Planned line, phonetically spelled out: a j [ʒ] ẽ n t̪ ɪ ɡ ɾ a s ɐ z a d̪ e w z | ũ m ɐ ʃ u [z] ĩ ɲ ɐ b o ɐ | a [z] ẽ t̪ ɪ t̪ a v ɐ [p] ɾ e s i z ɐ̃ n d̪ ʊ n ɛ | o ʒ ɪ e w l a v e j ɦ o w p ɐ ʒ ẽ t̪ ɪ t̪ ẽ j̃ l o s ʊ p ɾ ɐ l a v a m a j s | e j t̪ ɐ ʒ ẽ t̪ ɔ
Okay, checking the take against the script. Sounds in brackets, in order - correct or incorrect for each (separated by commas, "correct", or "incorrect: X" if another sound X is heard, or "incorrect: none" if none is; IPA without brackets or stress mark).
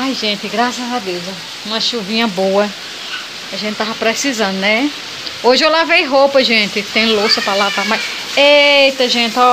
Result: correct, incorrect: v, incorrect: ʒ, correct